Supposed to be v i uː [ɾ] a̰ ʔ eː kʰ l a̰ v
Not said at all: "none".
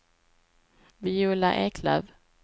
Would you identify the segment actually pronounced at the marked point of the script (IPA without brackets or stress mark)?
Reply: l